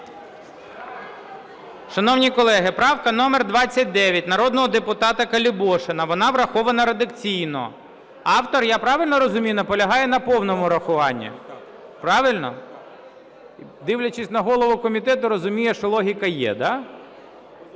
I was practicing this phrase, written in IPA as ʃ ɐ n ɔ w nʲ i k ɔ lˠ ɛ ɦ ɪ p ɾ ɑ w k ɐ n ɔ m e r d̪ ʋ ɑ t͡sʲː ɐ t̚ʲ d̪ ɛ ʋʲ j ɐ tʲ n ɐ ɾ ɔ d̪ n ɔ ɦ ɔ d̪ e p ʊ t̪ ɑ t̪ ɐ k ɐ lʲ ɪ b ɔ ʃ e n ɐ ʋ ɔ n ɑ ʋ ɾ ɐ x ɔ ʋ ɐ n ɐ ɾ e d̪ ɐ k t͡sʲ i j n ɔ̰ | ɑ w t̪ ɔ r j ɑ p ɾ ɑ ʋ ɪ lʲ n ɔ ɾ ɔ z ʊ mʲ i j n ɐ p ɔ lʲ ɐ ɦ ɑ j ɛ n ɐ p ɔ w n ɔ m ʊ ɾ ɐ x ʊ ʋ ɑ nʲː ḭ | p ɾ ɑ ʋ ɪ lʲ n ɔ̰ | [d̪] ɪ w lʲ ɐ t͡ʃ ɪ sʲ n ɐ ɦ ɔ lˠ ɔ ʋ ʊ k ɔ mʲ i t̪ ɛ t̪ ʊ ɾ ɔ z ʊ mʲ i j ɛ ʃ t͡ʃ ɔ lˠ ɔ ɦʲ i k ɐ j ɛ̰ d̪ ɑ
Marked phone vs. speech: correct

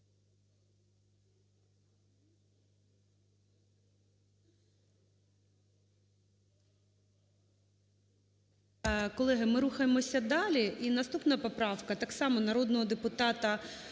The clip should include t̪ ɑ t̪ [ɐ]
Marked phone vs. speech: correct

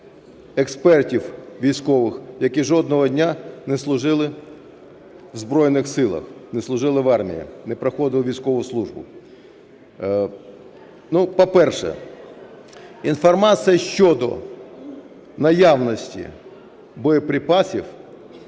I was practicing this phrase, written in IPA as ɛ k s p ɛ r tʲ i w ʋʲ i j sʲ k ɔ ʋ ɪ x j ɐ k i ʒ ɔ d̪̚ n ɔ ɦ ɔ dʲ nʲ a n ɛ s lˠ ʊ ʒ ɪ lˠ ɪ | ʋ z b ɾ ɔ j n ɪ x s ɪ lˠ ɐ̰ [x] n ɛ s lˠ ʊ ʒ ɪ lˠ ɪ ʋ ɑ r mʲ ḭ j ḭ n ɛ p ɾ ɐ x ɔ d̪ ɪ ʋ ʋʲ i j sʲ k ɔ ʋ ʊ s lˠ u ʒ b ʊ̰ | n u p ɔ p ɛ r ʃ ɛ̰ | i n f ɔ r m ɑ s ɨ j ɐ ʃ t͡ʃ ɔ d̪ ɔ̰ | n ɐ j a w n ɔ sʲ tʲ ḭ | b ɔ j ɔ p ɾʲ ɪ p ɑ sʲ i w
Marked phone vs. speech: correct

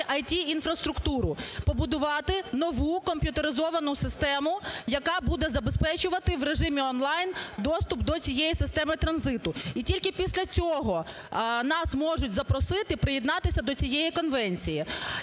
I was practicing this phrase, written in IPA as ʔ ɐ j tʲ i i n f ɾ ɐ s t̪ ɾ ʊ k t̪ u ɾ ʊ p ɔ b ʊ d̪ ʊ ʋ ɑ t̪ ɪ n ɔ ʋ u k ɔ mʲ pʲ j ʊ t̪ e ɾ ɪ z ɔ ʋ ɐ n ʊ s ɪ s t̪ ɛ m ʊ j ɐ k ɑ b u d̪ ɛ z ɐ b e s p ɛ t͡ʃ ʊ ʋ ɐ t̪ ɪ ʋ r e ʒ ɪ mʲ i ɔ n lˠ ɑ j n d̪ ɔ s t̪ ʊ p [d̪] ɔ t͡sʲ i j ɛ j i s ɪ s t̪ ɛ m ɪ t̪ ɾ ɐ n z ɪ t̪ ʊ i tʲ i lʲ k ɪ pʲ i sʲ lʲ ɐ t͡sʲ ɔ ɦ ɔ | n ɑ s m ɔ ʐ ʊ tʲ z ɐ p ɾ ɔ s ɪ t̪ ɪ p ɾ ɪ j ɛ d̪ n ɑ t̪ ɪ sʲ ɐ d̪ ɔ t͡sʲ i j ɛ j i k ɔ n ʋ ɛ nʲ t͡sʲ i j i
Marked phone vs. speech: correct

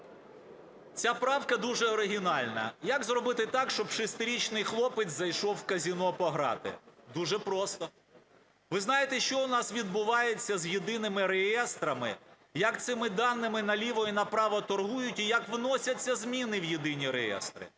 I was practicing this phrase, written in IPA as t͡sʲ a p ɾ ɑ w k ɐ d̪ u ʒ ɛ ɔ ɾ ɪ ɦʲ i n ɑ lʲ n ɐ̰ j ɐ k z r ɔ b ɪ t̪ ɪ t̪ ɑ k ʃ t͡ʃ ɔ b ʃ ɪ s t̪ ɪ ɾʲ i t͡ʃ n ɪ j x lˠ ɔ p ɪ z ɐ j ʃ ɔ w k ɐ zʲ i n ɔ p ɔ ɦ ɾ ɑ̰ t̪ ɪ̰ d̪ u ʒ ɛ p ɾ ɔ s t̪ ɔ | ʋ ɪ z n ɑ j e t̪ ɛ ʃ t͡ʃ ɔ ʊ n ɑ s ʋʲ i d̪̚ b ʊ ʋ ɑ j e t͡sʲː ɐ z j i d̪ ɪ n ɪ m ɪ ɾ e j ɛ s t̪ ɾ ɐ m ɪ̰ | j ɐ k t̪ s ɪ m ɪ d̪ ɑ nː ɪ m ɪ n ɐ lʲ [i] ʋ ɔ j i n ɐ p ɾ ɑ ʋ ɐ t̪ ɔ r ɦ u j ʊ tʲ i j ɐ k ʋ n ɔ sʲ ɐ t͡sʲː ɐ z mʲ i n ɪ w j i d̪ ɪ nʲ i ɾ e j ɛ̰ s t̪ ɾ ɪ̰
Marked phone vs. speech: correct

